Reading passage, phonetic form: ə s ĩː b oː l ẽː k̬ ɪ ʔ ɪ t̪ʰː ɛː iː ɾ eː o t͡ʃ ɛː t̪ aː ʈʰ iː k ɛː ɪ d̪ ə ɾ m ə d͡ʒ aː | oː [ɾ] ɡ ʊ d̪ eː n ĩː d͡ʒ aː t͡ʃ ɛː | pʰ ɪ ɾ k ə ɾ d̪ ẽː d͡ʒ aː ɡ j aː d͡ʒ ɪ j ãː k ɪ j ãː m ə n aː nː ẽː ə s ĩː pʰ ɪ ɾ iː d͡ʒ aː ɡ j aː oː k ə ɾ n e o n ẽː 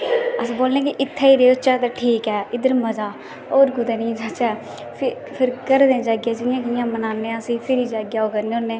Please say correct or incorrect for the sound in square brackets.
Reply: correct